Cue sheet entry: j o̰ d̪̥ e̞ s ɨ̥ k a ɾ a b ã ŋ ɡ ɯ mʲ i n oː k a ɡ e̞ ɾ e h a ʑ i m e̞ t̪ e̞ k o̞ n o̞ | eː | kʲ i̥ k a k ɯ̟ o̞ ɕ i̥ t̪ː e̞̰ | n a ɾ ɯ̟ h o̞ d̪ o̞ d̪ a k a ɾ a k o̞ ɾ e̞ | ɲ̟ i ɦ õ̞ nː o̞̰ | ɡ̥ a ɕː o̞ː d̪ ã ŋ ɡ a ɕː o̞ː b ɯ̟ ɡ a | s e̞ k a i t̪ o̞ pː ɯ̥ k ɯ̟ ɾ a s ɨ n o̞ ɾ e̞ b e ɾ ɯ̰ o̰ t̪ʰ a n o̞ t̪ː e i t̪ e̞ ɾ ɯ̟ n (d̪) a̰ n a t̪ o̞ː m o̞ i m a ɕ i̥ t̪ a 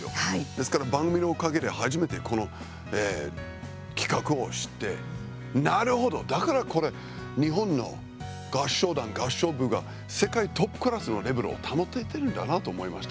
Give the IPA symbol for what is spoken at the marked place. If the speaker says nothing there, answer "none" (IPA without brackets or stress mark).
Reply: d̪